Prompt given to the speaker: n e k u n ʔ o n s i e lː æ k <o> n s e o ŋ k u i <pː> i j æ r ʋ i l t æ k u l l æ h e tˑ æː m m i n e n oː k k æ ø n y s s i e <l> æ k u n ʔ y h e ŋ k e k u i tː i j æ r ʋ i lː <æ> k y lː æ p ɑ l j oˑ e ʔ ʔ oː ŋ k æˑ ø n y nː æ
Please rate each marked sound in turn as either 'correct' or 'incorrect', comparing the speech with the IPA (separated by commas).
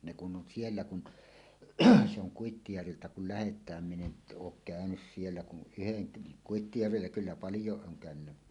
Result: incorrect, incorrect, incorrect, correct